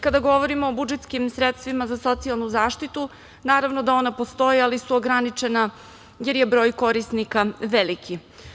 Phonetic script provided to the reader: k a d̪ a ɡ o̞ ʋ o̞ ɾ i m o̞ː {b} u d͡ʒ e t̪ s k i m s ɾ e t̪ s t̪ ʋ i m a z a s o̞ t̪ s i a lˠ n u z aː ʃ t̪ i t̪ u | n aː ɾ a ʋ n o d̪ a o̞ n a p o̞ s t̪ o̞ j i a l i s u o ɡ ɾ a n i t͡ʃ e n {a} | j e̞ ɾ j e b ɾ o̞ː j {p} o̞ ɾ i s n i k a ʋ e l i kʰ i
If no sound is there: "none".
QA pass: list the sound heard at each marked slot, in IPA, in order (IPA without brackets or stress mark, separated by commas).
b, a, k